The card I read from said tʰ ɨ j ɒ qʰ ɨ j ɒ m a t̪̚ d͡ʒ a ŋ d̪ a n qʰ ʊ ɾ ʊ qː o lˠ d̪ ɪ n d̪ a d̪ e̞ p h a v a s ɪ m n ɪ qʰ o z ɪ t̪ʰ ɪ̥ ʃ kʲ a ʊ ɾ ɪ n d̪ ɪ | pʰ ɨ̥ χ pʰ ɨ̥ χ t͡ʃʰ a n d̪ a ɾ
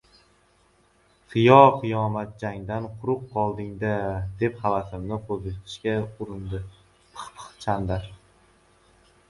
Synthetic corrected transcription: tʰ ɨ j ɒ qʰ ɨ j ɒ m a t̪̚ d͡ʒ a ŋ d̪ a n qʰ ʊ ɾ ʊ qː ɒ lˠ d̪ ɪ ŋ d̪ a d̪ e̞ p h a v a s ɪ m n ɪ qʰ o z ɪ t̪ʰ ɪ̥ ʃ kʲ a ʊ ɾ ɪ n d̪ ɪ | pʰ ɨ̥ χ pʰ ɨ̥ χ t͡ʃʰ a n d̪ a ɾ

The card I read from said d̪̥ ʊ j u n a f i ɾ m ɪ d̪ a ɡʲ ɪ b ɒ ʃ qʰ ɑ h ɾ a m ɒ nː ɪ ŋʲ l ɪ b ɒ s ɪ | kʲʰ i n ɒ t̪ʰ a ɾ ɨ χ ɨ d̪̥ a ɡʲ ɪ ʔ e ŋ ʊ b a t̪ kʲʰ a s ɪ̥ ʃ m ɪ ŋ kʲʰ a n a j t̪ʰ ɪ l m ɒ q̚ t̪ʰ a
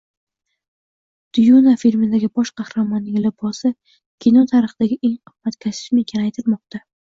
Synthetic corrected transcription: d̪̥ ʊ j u n a f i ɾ m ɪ d̪ a ɡʲ ɪ b ɒ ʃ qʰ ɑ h ɾ a m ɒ nː ɪ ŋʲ l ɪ b ɒ s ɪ | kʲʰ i n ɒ t̪ʰ a ɾ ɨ χ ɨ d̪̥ a ɡʲ ɪ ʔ e ŋ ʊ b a t̪ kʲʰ a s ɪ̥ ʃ m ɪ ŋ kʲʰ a n a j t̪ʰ ɪ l m ɒ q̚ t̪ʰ a

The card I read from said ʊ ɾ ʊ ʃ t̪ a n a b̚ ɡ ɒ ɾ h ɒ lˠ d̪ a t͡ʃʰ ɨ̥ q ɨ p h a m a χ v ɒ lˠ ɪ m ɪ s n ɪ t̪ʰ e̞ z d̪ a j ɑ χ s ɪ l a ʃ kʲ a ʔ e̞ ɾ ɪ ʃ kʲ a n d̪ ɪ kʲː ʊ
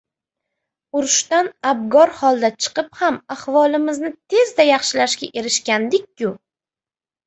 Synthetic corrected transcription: ʊ ɾ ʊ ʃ t̪ a n a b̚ ɡ ɒ ɾ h ɒ lˠ d̪ a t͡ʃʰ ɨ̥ q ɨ p h a m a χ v ɒ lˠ ɪ m ɪ z n ɪ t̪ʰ e̞ z d̪ a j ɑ χ ʃ ɪ l a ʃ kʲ a ʔ e̞ ɾ ɪ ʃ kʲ a n d̪ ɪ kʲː ʊ

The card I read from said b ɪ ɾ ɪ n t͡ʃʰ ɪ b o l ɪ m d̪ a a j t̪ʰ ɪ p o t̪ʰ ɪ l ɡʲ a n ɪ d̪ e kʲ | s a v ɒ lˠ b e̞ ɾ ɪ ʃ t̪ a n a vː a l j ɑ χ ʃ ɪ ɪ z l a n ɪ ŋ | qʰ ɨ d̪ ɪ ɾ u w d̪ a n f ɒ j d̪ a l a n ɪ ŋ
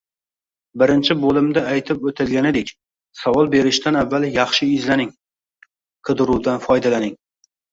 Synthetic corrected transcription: b ɪ ɾ ɪ n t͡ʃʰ ɪ b o l ɪ m d̪ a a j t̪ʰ ɪ p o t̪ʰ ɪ l ɡʲ a n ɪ d̪ e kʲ | s a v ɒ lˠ b e̞ ɾ ɪ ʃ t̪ a n a vː a l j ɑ χ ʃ ɪ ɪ z l a n ɪ ŋ | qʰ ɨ d̪ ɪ ɾ u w d̪ a n f ɒ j d̪ a l a n ɪ ŋ

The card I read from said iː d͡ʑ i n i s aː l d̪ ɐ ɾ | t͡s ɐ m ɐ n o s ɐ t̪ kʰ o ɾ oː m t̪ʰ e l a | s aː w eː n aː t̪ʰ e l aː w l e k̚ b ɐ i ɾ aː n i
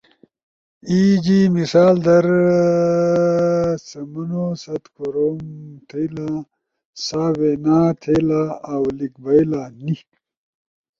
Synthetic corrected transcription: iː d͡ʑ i m i s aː l d̪ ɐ ɾ | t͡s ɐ m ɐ n o s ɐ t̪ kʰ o ɾ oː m t̪ʰ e l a | s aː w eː n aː t̪ʰ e l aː w l i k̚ b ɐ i l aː n i

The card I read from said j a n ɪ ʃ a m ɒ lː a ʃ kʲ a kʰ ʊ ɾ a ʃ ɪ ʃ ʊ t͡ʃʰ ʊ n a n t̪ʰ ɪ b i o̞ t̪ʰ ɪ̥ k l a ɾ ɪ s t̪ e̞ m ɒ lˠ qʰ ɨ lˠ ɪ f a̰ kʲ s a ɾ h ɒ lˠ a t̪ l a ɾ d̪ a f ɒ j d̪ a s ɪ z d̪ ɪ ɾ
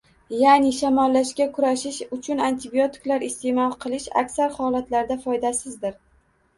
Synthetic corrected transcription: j a n ɪ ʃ a m ɒ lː a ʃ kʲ a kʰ ʊ ɾ a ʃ ɪ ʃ ʊ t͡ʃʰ ʊ n a n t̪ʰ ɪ b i o̞ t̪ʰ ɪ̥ k l a ɾ ɪ s t̪ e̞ m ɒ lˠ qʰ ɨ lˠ ɪ ʃ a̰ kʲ s a ɾ h ɒ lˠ a t̪ l a ɾ d̪ a f ɒ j d̪ a s ɪ z d̪ ɪ ɾ

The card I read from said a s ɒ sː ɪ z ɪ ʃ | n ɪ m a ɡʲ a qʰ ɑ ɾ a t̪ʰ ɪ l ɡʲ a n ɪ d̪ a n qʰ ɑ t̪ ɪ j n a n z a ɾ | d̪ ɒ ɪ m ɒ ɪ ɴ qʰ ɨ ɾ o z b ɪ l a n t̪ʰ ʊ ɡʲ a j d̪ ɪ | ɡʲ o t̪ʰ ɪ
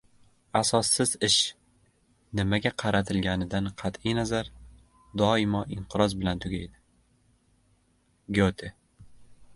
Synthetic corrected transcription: a s ɒ sː ɪ z ɪ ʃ | n ɪ m a ɡʲ a qʰ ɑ ɾ a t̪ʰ ɪ l ɡʲ a n ɪ d̪ a n qʰ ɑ t̪ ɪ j n a z a ɾ | d̪ ɒ ɪ m ɒ ɪ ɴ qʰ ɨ ɾ ɒ z b ɪ l a n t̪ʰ ʊ ɡʲ a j d̪ ɪ | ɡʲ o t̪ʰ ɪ

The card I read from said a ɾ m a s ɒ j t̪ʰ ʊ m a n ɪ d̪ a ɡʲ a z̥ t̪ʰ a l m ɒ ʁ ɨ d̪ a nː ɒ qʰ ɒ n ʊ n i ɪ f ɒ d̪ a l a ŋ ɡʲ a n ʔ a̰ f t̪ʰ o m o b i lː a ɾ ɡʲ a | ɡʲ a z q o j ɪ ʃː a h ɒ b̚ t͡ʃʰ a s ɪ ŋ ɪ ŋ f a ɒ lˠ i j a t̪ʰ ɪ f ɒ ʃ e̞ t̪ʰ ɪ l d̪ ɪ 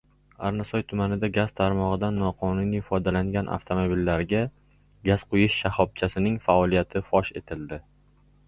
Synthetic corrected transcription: a ɾ n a s ɒ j t̪ʰ ʊ m a n ɪ d̪ a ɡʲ a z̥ t̪ʰ a ɾ m ɒ ʁ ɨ d̪ a nː ɒ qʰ ɒ n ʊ n i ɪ f ɒ d̪ a l a ŋ ɡʲ a n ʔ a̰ f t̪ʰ o m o b i lː a ɾ ɡʲ a | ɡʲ a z q o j ɪ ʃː a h ɒ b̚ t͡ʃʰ a s ɪ n ɪ ŋ f a ɒ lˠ i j a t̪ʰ ɪ f ɒ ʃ e̞ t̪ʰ ɪ l d̪ ɪ

